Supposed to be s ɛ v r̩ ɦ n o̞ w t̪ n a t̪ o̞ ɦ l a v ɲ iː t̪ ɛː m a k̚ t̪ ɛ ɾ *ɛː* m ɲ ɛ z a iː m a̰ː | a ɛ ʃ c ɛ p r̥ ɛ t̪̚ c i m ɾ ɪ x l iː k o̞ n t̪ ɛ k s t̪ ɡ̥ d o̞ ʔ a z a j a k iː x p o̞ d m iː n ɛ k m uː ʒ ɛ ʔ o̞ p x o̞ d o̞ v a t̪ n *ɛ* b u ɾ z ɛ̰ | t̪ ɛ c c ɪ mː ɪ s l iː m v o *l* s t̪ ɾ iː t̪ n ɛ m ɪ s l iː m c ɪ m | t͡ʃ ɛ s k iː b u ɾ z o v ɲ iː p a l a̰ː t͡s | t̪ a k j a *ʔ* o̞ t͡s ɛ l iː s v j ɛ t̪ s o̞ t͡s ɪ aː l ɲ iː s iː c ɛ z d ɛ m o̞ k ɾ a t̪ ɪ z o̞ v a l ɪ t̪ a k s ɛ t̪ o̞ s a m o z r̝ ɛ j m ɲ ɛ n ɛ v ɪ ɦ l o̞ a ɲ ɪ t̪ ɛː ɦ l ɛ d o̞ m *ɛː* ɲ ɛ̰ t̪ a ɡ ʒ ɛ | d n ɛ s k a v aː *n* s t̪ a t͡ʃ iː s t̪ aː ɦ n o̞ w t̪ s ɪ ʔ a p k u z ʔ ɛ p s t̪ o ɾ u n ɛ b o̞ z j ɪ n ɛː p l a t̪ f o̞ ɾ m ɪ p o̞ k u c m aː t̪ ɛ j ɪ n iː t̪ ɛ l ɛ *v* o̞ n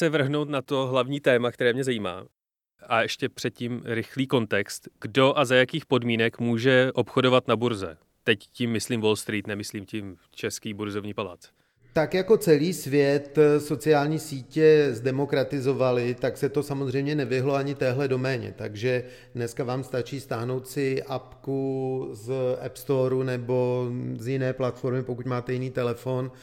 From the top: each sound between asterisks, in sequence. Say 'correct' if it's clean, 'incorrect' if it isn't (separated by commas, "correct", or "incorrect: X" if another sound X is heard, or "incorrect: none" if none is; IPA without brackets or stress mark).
correct, incorrect: a, correct, incorrect: k, correct, incorrect: m, incorrect: f